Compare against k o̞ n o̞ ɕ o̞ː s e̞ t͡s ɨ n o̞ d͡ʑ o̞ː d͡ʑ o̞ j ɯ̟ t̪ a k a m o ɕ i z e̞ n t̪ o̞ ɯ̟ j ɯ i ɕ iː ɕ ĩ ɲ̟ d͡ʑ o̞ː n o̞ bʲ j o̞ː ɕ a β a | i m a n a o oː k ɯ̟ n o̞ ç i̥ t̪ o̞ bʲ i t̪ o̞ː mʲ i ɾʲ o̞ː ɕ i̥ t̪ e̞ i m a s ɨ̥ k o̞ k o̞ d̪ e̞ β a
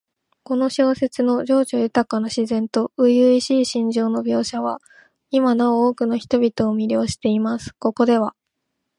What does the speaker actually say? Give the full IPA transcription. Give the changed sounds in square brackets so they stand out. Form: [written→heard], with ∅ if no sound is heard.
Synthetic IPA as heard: k o̞ n o̞ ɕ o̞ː s e̞ t͡s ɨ n o̞ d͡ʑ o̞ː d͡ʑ o̞ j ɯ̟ t̪ a k a [m→n] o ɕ i z [e̞→ẽ̞] n t̪ o̞ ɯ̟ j ɯ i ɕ iː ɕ ĩ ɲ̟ d͡ʑ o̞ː n o̞ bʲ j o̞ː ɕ a β a | i m a n a o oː k ɯ̟ n o̞ ç i̥ t̪ o̞ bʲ i t̪ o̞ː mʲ i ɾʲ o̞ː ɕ i̥ t̪ e̞ i m a s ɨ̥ k o̞ k o̞ d̪ e̞ β a

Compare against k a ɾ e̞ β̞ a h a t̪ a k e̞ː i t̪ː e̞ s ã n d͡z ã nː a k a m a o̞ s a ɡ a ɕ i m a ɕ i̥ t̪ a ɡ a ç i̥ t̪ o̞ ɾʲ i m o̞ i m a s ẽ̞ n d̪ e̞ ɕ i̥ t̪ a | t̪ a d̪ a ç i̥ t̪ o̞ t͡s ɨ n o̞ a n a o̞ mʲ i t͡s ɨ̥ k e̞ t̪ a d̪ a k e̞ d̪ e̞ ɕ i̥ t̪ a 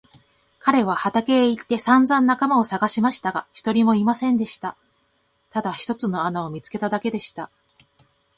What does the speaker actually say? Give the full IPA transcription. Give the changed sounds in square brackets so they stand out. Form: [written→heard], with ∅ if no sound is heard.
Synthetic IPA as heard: k a ɾ e̞ β̞ a h a t̪ a k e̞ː i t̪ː e̞ s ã n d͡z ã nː a k a m a o̞ s a ɡ a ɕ i m a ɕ i̥ t̪ a ɡ a ç i̥ t̪ o̞ ɾʲ i m o̞ i m a s ẽ̞ n d̪ e̞ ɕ i̥ t̪ a | t̪ a d̪ a ç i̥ t̪ o̞ t͡s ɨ n o̞ a n a o̞ mʲ i t͡s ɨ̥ k e̞ t̪ a d̪ a k e̞ d̪ e̞ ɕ i̥ t̪ a

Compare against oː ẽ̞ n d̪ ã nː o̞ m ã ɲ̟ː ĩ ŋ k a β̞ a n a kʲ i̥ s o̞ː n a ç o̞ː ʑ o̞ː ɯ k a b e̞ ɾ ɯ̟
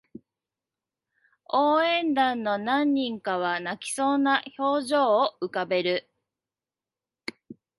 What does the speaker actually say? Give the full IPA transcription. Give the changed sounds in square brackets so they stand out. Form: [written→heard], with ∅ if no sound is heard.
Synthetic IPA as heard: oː ẽ̞ n d̪ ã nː o̞ [m→n] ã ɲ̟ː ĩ ŋ k a β̞ a n a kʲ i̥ s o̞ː n a ç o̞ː ʑ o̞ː ɯ k a b e̞ ɾ ɯ̟

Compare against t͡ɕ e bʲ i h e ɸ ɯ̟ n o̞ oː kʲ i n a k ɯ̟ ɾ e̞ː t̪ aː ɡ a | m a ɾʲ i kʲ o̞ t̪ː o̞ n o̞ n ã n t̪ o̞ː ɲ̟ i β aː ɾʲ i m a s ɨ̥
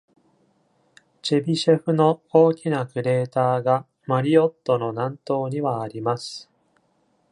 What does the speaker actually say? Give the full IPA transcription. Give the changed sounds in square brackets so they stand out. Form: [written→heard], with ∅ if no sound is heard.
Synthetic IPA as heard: t͡ɕ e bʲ i [h→ɕ] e ɸ ɯ̟ n o̞ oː kʲ i n a k ɯ̟ ɾ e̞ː t̪ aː ɡ a | m a ɾʲ i [kʲ→∅] o̞ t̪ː o̞ n o̞ n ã n t̪ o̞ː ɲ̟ i β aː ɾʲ i m a s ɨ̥

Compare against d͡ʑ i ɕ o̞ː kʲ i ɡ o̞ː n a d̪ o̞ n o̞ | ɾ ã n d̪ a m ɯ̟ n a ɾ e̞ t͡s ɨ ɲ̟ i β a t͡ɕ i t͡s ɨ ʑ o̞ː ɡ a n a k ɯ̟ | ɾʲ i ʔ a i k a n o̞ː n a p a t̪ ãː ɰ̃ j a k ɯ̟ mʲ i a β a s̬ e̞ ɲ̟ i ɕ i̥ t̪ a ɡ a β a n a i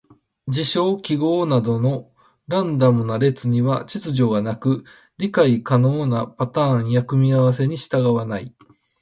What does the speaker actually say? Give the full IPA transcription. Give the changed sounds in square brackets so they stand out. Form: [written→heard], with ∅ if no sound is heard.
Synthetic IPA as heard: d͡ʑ i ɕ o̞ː kʲ i ɡ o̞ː n a d̪ o̞ n o̞ | ɾ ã n d̪ a m ɯ̟ n a ɾ e̞ t͡s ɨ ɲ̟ i β a t͡ɕ i t͡s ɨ ʑ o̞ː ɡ a n a k ɯ̟ | ɾʲ i [ʔ→k] a i k a n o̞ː n a p a t̪ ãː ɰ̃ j a k ɯ̟ mʲ i a β a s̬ e̞ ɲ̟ i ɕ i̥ t̪ a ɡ a β a n a i

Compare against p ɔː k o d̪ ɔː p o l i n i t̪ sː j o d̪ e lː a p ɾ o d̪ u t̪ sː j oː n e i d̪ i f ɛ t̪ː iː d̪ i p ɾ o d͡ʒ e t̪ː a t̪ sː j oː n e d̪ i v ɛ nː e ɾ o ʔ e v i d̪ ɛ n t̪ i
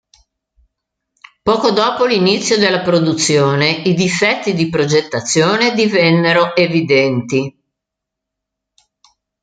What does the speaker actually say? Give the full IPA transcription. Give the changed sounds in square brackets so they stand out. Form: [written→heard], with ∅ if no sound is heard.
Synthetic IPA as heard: p ɔː k o d̪ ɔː p o l i n i t̪ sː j o d̪ e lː a p ɾ o d̪ u t̪ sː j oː n e i d̪ i f ɛ t̪ː [iː→i] d̪ i p ɾ o d͡ʒ e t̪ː a t̪ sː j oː n e d̪ i v ɛ nː e ɾ o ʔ e v i d̪ ɛ n t̪ i

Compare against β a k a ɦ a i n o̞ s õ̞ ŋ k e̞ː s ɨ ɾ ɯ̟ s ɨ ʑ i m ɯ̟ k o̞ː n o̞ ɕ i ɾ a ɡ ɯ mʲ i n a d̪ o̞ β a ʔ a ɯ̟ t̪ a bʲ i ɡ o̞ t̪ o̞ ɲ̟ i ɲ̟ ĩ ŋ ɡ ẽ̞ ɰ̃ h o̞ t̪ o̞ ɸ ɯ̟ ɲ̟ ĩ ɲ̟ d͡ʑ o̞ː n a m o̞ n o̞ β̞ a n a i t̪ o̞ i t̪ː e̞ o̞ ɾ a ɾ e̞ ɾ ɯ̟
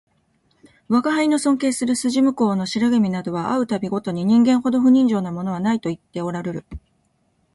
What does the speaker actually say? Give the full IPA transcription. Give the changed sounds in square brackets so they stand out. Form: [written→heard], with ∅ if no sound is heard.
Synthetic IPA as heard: β a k a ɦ a i n o̞ s õ̞ ŋ k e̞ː s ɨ ɾ ɯ̟ s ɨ ʑ i m ɯ̟ k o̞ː n o̞ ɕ i ɾ a ɡ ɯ mʲ i n a d̪ o̞ β a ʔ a ɯ̟ t̪ a bʲ i ɡ o̞ t̪ o̞ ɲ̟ i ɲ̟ ĩ ŋ ɡ ẽ̞ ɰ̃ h o̞ [t̪→d̪] o̞ ɸ ɯ̟ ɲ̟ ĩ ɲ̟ d͡ʑ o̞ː n a m o̞ n o̞ β̞ a n a i t̪ o̞ i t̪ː e̞ o̞ ɾ a ɾ e̞ ɾ ɯ̟

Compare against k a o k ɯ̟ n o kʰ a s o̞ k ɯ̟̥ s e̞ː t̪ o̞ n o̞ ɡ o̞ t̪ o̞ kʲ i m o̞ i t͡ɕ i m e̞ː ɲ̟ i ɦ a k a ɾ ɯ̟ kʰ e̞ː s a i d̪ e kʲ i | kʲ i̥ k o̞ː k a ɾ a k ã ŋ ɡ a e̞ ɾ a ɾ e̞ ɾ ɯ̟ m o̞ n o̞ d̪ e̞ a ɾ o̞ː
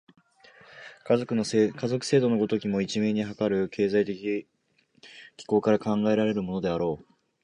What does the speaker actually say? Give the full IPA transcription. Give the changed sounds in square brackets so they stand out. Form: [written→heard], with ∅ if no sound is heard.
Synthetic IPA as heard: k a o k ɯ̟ n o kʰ a [s→z] o̞ k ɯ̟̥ s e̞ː [t̪→d̪] o̞ n o̞ ɡ o̞ t̪ o̞ kʲ i m o̞ i t͡ɕ i m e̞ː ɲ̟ i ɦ a k a ɾ ɯ̟ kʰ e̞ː [s→z] a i [d̪→t̪] e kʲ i | kʲ i̥ k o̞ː k a ɾ a k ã ŋ ɡ a e̞ ɾ a ɾ e̞ ɾ ɯ̟ m o̞ n o̞ d̪ e̞ a ɾ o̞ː

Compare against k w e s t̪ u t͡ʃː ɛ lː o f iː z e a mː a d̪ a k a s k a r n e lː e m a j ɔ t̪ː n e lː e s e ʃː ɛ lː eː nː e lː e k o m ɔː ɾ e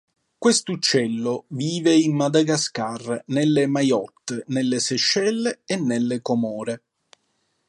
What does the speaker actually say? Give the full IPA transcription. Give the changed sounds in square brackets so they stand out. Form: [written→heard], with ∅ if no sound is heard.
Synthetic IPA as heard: k w e s t̪ u t͡ʃː ɛ lː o [f→v] iː [z→v] e [a→i] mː a d̪ a [k→ɡ] a s k a r n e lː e m a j ɔ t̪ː n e lː e s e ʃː ɛ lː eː nː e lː e k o m ɔː ɾ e

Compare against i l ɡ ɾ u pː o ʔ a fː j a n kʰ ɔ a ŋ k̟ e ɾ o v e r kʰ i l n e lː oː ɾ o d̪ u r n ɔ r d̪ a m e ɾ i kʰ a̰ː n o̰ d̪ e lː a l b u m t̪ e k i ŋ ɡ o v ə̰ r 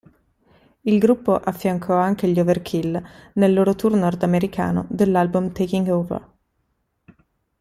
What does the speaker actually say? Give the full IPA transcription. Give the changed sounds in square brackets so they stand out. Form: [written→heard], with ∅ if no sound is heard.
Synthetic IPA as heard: i l ɡ ɾ u pː o ʔ a fː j a [n→ŋ] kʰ ɔ a ŋ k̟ e [ɾ→ʎ] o v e r kʰ i l n e lː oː ɾ o [d̪→t̪] u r n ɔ r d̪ a m e ɾ i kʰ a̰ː n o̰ d̪ e lː a l b u m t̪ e k i ŋ ɡ o v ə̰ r

